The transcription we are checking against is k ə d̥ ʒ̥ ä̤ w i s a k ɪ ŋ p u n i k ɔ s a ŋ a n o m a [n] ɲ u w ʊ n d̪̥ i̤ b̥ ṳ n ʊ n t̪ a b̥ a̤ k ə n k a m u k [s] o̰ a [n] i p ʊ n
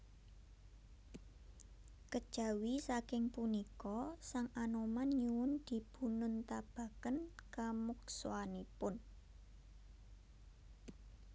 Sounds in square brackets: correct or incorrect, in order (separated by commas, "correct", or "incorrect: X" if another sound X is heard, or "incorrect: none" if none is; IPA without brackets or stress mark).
correct, correct, correct